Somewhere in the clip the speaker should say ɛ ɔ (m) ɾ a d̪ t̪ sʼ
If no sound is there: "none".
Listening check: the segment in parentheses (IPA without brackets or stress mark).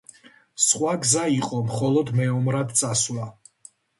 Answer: m